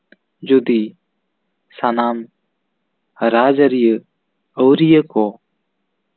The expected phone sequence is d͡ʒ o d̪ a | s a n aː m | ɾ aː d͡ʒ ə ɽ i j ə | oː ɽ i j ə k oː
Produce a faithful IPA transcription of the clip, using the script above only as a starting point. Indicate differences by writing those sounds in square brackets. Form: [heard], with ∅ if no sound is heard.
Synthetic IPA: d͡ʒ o d̪ [i] | s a n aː m | ɾ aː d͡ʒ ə [ɾ] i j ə | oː [ɾ] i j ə k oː